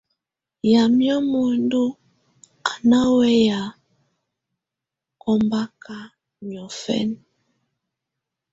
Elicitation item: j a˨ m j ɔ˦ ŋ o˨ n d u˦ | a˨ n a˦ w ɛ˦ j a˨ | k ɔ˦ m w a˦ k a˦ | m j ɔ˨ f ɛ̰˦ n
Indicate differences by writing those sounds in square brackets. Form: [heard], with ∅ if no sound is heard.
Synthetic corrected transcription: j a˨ m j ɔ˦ [m] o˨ n d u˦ | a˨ n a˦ w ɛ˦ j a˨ | k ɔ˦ m [b] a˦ k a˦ | m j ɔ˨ f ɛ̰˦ n